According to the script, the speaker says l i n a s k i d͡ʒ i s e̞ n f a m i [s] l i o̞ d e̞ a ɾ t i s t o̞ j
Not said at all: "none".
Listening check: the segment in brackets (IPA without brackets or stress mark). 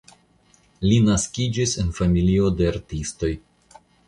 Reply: none